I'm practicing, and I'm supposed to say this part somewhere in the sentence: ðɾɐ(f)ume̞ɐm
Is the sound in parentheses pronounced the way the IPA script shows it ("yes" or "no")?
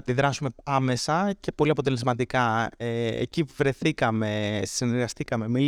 no